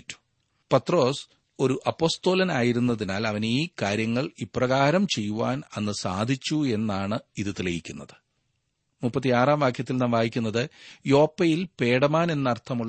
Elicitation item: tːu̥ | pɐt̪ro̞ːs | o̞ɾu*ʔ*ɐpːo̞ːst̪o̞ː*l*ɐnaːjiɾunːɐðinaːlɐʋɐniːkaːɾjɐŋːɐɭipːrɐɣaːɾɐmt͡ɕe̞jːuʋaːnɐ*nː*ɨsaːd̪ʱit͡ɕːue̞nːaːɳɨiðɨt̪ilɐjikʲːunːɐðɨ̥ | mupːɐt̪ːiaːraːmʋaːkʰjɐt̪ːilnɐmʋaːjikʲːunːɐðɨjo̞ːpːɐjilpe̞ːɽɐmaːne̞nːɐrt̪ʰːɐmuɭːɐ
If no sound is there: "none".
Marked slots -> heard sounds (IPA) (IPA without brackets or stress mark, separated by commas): ʔ, l, nː